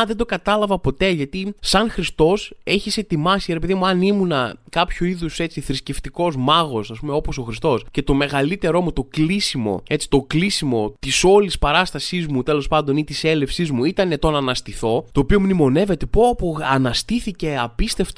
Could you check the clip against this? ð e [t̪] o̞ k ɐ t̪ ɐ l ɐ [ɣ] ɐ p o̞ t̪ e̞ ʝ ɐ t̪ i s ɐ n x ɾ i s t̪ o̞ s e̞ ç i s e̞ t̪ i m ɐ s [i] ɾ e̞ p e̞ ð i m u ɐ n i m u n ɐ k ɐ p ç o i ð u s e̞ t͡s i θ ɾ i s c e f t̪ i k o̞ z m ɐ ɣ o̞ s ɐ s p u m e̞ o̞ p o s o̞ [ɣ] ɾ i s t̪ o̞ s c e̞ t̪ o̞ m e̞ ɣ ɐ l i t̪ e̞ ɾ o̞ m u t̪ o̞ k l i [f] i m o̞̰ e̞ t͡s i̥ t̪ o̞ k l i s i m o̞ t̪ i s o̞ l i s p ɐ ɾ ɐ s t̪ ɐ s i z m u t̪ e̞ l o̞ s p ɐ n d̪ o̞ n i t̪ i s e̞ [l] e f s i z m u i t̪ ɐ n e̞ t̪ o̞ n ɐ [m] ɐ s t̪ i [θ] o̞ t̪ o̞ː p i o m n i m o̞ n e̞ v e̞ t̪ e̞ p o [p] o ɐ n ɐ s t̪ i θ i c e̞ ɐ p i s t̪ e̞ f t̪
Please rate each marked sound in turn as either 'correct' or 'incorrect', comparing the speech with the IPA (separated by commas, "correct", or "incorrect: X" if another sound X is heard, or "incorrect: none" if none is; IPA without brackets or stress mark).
incorrect: d̪, incorrect: v, correct, incorrect: x, incorrect: s, correct, incorrect: n, correct, correct